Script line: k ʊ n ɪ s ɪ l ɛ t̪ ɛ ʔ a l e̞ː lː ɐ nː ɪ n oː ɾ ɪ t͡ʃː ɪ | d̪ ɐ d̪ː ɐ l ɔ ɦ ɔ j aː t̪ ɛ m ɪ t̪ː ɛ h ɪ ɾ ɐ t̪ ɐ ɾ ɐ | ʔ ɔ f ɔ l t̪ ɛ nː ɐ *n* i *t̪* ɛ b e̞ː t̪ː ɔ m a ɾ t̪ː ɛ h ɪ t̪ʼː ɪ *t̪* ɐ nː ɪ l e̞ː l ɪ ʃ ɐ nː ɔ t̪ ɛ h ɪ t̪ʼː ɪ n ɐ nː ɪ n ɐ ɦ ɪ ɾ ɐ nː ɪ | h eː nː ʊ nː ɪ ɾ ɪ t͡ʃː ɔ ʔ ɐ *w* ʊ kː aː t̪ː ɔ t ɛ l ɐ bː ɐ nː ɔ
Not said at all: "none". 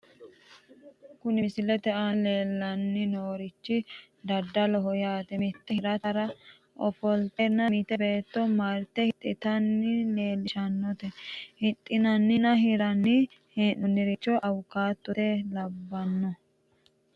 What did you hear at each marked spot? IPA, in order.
m, t̪, t̪, w

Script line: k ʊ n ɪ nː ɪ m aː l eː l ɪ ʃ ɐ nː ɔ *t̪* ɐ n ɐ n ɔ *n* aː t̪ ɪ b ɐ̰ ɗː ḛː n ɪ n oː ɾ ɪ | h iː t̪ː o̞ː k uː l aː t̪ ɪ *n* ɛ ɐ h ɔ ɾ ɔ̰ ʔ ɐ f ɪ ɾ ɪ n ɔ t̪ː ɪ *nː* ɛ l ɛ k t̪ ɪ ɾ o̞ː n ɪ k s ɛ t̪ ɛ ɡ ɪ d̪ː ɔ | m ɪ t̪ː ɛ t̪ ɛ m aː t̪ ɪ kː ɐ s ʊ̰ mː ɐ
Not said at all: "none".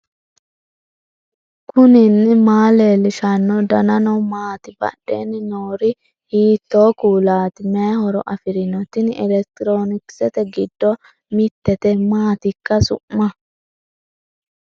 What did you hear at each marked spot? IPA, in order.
d̪, m, m, n

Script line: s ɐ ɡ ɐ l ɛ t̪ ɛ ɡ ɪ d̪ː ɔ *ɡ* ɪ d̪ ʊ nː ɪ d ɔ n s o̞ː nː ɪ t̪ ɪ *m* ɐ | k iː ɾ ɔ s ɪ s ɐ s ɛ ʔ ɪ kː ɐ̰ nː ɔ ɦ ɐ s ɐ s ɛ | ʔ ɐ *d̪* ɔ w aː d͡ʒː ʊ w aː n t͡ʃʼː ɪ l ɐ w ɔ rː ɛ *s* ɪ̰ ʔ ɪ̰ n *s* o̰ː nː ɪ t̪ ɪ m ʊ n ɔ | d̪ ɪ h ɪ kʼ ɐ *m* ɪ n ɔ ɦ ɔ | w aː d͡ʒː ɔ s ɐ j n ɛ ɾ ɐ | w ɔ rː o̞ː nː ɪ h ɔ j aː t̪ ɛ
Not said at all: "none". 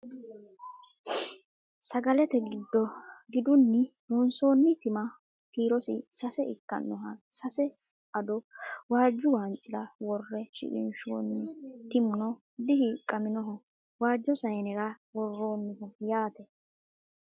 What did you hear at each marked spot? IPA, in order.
ɡ, m, d̪, ʃ, ʃ, m

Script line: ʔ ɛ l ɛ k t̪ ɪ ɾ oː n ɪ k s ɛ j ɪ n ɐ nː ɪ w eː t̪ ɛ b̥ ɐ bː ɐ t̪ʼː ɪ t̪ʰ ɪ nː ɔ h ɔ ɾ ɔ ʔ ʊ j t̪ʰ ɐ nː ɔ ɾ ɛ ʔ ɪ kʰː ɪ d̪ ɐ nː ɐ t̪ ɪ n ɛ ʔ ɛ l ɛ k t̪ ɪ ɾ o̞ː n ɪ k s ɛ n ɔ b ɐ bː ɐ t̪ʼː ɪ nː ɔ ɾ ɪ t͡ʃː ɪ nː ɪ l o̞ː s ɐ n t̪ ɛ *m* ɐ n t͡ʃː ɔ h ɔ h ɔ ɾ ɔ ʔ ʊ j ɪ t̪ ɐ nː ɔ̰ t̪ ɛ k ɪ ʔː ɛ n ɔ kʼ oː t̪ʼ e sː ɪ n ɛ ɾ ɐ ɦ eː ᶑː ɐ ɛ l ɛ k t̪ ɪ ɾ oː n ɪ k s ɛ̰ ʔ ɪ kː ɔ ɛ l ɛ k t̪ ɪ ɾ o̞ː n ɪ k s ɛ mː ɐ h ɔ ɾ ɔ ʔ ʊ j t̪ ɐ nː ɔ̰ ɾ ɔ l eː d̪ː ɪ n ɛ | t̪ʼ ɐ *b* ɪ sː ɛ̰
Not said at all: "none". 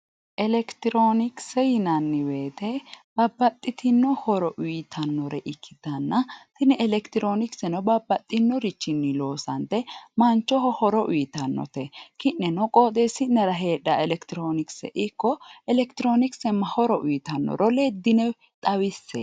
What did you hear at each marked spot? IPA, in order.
m, w

